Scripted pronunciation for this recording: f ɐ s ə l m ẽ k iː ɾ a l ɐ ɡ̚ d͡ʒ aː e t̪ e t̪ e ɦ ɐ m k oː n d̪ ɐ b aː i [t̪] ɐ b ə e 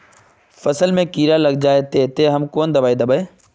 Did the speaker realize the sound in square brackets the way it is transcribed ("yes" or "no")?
no